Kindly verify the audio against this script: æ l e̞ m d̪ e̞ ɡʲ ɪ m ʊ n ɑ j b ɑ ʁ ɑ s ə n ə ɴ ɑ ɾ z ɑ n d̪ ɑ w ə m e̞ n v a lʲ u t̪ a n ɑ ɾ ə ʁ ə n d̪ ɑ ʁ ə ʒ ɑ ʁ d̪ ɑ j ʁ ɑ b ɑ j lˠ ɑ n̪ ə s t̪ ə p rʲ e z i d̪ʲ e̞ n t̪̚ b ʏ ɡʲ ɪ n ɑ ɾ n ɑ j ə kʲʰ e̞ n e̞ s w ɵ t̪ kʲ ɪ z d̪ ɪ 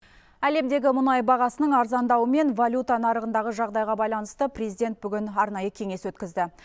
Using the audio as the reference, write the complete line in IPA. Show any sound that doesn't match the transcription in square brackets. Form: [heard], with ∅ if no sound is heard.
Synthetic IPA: æ l e̞ m d̪ e̞ ɡʲ ɪ m ʊ n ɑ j b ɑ ʁ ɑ s ə n ə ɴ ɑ ɾ z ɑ n d̪ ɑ w ə m e̞ n v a lʲ u t̪ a n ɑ ɾ ə ʁ ə n d̪ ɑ ʁ ə ʒ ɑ ʁ d̪ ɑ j ʁ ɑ b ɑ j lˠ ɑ n̪ ə s t̪ ə p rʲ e z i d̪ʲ e̞ n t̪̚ b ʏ ɡʲ ɪ n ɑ ɾ n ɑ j ə kʲʰ e̞ [ŋ] e̞ s w ɵ t̪ kʲ ɪ z d̪ ɪ

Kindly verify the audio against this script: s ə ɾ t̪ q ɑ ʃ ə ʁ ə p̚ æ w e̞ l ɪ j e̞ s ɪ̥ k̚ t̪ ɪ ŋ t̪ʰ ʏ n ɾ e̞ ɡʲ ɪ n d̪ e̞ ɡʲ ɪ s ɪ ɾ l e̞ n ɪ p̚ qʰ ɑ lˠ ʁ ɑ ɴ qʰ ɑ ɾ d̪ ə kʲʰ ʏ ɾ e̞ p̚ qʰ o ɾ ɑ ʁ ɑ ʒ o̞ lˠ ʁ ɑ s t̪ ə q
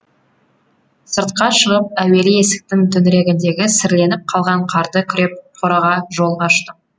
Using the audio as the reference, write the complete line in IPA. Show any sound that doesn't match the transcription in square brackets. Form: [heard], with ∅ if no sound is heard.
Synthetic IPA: s ə ɾ t̪ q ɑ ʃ ə ʁ ə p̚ æ w e̞ l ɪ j e̞ s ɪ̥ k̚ t̪ ɪ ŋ t̪ʰ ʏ n ɾ e̞ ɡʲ ɪ n d̪ e̞ ɡʲ ɪ s ɪ ɾ l e̞ n ɪ p̚ qʰ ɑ lˠ ʁ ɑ ɴ qʰ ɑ ɾ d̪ ə kʲʰ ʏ ɾ e̞ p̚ qʰ o ɾ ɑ ʁ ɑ ʒ o̞ lˠ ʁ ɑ [ʃ] t̪ ə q

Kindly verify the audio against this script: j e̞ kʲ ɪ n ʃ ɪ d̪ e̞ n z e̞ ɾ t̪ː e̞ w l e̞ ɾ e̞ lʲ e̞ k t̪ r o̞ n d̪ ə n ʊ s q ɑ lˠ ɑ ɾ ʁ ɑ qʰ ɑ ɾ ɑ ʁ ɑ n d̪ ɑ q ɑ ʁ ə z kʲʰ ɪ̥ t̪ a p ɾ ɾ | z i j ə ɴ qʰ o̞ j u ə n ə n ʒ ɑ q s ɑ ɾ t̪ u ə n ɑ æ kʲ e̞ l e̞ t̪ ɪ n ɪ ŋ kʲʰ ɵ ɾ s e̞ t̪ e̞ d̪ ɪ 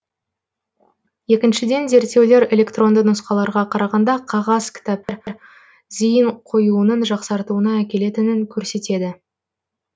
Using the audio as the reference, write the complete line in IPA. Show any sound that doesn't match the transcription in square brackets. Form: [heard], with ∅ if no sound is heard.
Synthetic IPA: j e̞ kʲ ɪ n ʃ ɪ d̪ e̞ n z e̞ ɾ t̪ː e̞ w l e̞ ɾ e̞ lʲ e̞ k t̪ r o̞ n d̪ ə n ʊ s q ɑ lˠ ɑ ɾ ʁ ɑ qʰ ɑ ɾ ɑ ʁ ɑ n d̪ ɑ [qʰ] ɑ ʁ [ɑ] z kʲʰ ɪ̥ t̪ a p ɾ ɾ | z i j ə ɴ qʰ o̞ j u ə n ə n ʒ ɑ q s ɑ ɾ t̪ u ə n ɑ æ kʲ e̞ l e̞ t̪ ɪ n ɪ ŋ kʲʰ ɵ ɾ s e̞ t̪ e̞ d̪ ɪ

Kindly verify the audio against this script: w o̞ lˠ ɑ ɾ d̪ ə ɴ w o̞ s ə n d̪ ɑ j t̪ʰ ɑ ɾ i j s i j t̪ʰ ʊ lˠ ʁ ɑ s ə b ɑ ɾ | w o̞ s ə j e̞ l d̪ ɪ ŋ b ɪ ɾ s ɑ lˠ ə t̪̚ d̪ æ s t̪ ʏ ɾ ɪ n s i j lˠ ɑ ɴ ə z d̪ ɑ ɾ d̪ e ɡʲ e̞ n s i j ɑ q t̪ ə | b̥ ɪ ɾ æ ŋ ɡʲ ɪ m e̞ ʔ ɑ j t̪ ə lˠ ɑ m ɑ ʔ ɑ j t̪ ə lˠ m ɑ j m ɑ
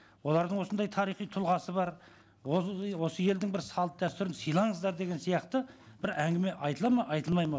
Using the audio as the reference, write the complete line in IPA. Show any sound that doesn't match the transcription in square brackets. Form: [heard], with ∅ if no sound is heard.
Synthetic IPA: w o̞ lˠ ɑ ɾ d̪ ə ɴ w o̞ s ə n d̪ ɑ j t̪ʰ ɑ ɾ i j [χ] i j t̪ʰ ʊ lˠ ʁ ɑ s ə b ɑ ɾ | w o̞ s ə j e̞ l d̪ ɪ ŋ b ɪ ɾ s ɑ lˠ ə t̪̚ d̪ æ s t̪ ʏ ɾ ɪ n s i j lˠ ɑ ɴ ə z d̪ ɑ ɾ d̪ e ɡʲ e̞ n s i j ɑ q t̪ ə | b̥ ɪ ɾ æ ŋ ɡʲ ɪ m e̞ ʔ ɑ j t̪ ə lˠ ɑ m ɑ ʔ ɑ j t̪ ə lˠ m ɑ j m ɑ

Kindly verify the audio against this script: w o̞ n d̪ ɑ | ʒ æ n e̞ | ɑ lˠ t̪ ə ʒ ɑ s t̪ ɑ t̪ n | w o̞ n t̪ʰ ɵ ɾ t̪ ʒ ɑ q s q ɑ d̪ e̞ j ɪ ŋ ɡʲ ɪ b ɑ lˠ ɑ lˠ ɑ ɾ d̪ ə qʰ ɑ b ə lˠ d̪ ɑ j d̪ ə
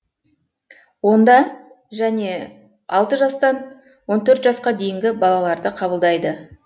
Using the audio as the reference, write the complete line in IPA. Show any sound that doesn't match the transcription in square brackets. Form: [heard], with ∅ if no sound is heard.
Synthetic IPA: w o̞ n d̪ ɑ | ʒ æ n e̞ | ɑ lˠ t̪ ə ʒ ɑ s t̪ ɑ [∅] n | w o̞ n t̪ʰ ɵ ɾ t̪ ʒ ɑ [∅] s q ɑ d̪ e̞ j ɪ ŋ ɡʲ ɪ b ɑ lˠ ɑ lˠ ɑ ɾ d̪ ə qʰ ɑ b ə lˠ d̪ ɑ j d̪ ə

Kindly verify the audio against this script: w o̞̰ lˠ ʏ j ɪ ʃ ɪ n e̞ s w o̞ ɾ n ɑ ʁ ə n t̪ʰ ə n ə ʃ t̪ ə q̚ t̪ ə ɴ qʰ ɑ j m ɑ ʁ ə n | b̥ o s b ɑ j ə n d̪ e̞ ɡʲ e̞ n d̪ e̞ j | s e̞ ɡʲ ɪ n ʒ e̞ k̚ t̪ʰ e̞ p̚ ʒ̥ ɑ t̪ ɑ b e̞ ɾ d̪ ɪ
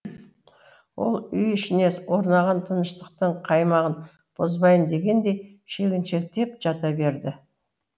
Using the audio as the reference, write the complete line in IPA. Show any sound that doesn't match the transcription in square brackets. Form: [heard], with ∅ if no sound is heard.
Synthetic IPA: w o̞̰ lˠ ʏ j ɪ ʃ ɪ n e̞ s w o̞ ɾ n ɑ ʁ [ɑ] n t̪ʰ ə n ə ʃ t̪ ə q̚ t̪ ə ɴ qʰ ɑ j m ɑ ʁ ə n | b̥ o [z] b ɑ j ə n d̪ e̞ ɡʲ e̞ n d̪ e̞ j | [ʃ] e̞ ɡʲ ɪ n [ʃ] e̞ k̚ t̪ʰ e̞ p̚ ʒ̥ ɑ t̪ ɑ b e̞ ɾ d̪ ɪ

